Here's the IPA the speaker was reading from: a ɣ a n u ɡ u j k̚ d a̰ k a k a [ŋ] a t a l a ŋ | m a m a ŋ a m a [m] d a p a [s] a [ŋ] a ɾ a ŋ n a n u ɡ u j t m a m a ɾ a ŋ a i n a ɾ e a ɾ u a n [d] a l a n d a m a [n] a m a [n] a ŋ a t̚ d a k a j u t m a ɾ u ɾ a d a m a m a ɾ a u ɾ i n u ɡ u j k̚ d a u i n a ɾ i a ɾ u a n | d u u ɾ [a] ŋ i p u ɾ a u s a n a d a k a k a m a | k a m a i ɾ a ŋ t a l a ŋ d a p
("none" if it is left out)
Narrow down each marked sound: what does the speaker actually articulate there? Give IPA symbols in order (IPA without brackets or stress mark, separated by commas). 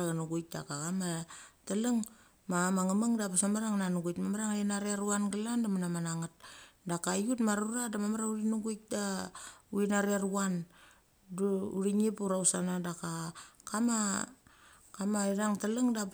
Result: m, ŋ, s, m, ɡ, n, n, i